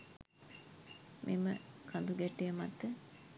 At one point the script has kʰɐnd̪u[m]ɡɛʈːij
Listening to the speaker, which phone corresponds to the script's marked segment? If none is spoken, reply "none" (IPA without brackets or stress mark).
none